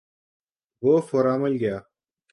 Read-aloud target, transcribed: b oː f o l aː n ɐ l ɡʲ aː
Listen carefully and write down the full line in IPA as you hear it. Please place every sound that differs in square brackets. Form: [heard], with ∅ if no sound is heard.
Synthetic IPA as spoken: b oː f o [ɾ] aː [m] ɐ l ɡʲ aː